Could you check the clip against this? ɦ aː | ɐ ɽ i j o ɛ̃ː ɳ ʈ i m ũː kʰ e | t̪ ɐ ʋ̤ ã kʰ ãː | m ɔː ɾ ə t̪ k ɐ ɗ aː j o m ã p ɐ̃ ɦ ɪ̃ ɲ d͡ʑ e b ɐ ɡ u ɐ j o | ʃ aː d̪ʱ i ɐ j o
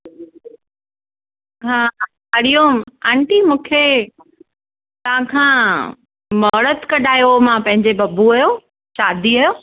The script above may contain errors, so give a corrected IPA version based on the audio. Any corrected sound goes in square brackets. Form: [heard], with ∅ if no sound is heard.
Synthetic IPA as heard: ɦ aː | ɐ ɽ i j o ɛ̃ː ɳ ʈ i m ũː kʰ e | t̪ ɐ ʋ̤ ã kʰ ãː | m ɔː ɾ ə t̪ k ɐ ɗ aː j o m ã p ɐ̃ ɦ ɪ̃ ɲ d͡ʑ e b ɐ [b] u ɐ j o | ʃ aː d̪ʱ i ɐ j o